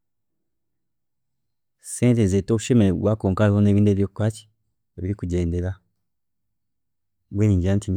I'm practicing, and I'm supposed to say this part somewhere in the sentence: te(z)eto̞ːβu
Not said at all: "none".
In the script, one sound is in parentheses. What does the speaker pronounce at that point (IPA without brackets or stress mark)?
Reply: z